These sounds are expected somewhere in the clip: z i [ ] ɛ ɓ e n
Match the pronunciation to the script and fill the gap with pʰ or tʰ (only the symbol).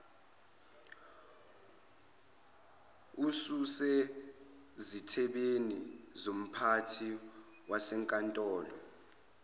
tʰ